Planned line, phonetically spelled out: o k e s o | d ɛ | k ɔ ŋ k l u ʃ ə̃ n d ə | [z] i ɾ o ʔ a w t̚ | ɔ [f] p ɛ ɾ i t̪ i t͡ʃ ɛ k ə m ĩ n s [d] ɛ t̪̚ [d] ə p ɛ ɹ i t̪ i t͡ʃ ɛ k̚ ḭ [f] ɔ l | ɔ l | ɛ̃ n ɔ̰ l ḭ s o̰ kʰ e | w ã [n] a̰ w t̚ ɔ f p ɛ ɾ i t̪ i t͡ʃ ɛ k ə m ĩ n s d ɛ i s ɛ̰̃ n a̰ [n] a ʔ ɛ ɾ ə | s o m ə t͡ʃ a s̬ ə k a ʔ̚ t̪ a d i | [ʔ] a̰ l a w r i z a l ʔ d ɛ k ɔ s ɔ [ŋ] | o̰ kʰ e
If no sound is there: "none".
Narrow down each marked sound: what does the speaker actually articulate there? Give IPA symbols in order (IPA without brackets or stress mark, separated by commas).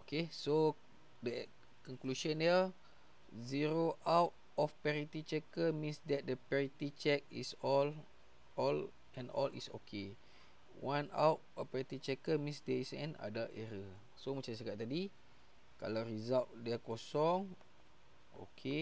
z, f, d, d, s, n, d, k, ŋ